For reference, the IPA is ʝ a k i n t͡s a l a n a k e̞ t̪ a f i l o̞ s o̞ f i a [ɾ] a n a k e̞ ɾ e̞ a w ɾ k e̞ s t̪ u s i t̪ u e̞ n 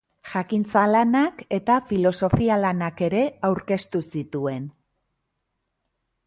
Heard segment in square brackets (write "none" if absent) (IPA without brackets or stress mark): l